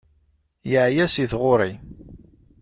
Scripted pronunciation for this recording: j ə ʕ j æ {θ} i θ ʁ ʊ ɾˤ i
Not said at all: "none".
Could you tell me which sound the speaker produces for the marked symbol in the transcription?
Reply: s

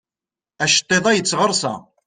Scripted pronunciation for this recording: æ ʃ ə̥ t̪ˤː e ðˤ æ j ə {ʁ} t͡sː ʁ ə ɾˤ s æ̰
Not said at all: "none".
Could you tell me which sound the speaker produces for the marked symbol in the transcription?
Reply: none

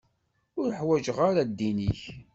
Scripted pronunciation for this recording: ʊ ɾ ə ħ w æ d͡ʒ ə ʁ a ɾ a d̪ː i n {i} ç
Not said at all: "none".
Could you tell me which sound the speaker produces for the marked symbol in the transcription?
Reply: i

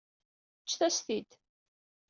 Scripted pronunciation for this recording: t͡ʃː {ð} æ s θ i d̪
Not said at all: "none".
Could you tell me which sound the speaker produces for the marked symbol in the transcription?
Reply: θ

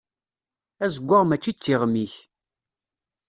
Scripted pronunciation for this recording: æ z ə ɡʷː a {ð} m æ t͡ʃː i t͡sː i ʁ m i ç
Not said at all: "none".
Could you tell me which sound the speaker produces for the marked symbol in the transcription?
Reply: ʁ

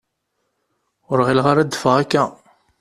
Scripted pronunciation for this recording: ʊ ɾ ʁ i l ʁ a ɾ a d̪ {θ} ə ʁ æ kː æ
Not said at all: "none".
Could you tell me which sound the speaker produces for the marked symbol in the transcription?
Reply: f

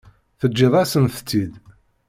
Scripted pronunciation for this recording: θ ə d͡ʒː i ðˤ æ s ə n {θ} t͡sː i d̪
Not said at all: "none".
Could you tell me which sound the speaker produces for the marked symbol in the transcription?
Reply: θ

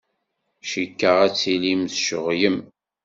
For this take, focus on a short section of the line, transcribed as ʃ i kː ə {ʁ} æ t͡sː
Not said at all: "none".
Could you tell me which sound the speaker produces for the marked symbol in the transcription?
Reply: ʁ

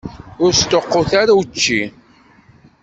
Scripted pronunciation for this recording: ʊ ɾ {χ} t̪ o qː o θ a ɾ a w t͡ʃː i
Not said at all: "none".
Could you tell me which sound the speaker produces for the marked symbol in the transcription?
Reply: s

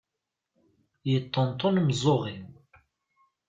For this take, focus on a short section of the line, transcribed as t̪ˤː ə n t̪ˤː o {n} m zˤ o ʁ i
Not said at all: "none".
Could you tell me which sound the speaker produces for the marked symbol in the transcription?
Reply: n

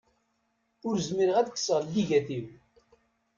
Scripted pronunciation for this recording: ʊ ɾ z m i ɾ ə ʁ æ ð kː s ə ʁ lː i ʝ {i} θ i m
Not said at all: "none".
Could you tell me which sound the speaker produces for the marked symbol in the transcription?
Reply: æ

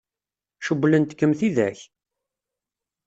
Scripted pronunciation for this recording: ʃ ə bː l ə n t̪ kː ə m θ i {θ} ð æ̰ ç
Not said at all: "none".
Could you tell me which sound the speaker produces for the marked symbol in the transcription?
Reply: none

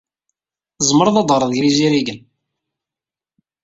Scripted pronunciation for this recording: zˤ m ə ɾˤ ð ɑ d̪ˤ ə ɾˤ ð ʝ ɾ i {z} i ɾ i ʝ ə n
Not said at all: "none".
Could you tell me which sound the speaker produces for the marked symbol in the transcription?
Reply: z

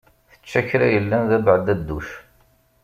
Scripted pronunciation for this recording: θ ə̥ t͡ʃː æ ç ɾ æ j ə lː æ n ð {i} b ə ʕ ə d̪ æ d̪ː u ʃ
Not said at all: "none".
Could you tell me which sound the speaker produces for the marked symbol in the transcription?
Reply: æ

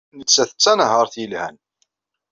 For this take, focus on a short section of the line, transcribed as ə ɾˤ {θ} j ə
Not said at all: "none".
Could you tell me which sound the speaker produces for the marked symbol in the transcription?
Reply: θ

